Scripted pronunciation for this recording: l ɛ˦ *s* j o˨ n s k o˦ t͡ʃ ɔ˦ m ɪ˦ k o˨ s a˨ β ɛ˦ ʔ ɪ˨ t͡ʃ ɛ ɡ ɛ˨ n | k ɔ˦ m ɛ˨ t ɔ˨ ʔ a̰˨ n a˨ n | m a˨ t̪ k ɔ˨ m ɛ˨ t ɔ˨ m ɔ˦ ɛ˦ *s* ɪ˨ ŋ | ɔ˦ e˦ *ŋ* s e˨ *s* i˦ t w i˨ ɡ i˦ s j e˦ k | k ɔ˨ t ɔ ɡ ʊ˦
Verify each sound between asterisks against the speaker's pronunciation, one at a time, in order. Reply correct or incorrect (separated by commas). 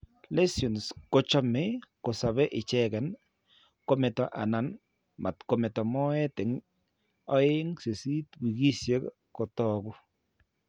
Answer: correct, incorrect, correct, correct